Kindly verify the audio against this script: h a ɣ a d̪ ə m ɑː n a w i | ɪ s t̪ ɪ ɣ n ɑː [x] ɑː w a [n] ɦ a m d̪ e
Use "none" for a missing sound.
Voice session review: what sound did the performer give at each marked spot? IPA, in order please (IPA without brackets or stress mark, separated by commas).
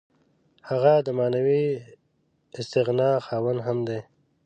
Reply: x, n